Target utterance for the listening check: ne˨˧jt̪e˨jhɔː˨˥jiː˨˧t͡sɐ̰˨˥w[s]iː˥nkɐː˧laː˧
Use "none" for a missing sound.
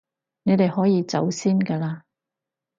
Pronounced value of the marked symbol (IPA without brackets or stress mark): s